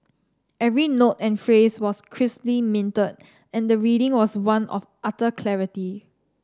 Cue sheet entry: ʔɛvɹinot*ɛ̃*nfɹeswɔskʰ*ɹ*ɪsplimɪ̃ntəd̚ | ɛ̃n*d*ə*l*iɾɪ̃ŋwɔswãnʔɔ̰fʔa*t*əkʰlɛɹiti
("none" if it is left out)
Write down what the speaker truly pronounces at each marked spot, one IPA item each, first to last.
ɛ̃, ɹ, d, ɹ, t

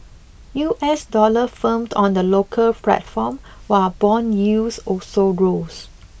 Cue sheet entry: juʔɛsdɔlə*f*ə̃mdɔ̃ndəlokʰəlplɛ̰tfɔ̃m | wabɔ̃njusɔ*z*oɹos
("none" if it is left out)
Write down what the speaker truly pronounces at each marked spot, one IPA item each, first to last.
f, s

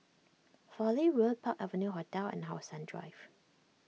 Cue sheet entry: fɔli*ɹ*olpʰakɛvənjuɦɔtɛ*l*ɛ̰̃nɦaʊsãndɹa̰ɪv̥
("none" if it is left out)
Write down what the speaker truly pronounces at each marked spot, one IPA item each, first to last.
ɹ, l

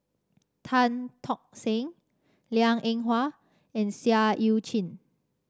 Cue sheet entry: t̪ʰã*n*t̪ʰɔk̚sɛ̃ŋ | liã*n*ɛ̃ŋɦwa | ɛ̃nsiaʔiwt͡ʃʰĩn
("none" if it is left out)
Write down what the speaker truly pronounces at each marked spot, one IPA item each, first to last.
n, ŋ

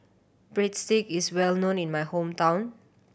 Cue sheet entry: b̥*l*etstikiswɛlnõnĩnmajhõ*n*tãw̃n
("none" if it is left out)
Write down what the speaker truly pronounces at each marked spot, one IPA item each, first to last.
ɹ, m

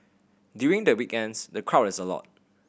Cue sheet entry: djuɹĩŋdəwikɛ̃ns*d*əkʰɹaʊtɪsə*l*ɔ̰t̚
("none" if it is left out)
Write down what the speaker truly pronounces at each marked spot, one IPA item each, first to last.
d, l

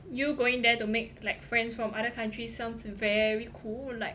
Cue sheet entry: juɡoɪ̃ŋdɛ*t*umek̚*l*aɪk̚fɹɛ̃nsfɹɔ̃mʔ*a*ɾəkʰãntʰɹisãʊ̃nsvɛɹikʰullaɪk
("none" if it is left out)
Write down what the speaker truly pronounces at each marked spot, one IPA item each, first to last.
t, l, a

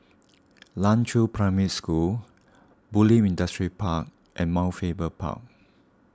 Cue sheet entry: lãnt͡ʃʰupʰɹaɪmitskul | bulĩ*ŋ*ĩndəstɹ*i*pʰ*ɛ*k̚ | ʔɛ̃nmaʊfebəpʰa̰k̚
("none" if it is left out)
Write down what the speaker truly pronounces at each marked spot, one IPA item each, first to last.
m, i, a

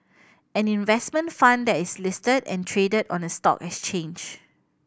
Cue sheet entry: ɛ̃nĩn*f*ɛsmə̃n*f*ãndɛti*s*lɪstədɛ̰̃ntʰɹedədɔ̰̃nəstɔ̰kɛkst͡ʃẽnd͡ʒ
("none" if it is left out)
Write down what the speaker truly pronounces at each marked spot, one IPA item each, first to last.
v, f, s

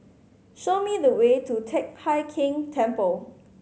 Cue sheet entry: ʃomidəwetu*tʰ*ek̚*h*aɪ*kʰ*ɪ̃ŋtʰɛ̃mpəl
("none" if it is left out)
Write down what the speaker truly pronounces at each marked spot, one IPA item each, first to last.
tʰ, h, kʰ

